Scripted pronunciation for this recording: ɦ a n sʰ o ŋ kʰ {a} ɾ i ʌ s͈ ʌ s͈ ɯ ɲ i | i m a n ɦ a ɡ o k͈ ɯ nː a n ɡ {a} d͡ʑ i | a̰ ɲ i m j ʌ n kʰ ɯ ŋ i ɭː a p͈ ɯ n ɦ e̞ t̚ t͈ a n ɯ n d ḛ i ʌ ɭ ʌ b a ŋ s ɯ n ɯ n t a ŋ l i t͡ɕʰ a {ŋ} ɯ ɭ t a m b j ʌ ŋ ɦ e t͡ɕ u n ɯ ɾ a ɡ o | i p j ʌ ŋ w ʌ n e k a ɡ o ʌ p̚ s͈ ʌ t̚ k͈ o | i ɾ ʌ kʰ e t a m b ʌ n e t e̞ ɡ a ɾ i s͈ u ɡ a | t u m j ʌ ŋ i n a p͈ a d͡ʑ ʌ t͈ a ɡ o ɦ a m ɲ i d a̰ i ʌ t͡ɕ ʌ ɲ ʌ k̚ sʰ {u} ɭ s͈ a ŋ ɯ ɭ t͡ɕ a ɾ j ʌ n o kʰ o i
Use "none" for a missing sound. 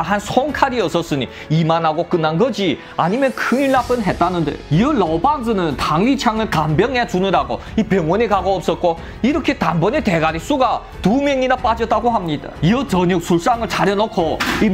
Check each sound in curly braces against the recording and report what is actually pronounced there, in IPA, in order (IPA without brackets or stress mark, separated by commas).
a, ʌ, ŋ, u